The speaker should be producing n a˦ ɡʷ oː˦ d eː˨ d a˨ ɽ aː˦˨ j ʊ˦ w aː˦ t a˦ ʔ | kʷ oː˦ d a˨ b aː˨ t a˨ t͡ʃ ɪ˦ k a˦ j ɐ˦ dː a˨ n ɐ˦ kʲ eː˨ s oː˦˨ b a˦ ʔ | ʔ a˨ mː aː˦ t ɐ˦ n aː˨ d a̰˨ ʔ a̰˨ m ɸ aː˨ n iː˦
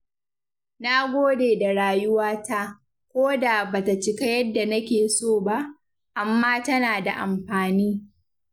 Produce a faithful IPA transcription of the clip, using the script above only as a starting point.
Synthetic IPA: n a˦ ɡʷ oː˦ d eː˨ d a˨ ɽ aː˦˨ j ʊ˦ w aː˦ t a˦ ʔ | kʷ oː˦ d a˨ b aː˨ t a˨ t͡ʃ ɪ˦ k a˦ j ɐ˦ dː a˨ n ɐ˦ kʲ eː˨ s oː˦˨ b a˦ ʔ | ʔ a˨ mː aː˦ t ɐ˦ n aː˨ d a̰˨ ʔ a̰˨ m ɸ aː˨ n iː˦